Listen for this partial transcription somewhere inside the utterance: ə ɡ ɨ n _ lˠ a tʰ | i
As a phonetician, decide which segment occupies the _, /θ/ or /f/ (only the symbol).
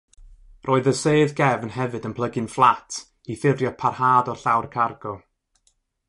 f